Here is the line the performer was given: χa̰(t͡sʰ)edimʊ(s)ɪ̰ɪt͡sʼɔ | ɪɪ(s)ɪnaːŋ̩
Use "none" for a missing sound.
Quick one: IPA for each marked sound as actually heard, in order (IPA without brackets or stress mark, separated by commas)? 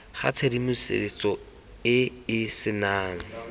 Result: t͡sʰ, s, s